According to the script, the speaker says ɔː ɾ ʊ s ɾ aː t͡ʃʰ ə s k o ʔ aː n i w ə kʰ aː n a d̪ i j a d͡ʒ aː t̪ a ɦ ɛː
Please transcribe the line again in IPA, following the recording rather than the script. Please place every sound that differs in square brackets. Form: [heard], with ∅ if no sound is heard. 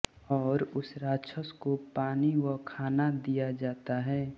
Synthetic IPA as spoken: ɔː ɾ ʊ s ɾ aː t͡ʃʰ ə s k o [p] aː n i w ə kʰ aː n a d̪ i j a d͡ʒ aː t̪ a ɦ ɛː